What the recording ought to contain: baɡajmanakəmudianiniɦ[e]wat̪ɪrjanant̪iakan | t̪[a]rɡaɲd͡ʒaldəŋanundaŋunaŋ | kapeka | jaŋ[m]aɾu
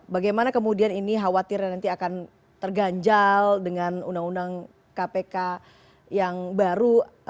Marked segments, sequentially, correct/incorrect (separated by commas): incorrect, incorrect, incorrect